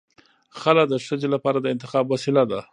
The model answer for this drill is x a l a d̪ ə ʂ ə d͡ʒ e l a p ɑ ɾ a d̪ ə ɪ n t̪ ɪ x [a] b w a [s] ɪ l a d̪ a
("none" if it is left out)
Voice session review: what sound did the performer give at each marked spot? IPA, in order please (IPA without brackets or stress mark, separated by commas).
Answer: ɑ, s